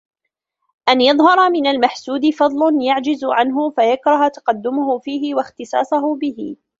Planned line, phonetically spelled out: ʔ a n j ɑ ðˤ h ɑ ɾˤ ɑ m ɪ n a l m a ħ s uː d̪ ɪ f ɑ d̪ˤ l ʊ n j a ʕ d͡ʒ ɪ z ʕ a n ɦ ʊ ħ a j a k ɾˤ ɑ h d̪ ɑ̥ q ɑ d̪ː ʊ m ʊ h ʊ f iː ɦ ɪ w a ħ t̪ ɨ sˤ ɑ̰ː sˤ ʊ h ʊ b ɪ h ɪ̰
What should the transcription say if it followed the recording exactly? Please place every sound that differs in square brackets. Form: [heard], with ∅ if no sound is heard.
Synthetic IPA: ʔ a n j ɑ ðˤ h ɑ ɾˤ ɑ m ɪ n a l m a ħ s uː d̪ ɪ f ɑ d̪ˤ l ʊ n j a ʕ d͡ʒ ɪ z ʕ a n ɦ ʊ [f] a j a k ɾˤ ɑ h [t̪] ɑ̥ q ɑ d̪ː ʊ m ʊ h ʊ f iː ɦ ɪ w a [x] t̪ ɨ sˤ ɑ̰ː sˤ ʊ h ʊ b ɪ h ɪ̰